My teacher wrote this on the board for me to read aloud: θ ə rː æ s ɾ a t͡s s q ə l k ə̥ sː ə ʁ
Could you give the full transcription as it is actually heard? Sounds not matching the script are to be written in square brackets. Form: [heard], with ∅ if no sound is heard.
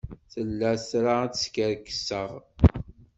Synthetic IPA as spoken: θ ə [lː] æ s ɾ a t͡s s [k] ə [ɾ] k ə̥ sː ə ʁ